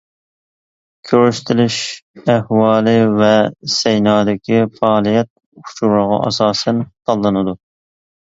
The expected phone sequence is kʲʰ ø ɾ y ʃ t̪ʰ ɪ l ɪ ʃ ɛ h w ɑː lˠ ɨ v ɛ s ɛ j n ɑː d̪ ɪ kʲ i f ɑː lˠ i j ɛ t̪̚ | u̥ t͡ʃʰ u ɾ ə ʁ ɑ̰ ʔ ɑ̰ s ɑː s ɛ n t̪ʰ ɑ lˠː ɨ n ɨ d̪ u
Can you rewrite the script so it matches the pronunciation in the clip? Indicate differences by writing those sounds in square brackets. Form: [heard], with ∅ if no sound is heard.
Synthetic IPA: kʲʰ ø ɾ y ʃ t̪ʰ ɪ l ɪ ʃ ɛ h w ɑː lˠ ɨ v ɛ s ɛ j n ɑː d̪ ɪ kʲ i f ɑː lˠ i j ɛ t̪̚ | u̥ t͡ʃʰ u ɾ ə ʁ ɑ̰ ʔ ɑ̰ s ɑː s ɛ n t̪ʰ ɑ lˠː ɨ n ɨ d̪ u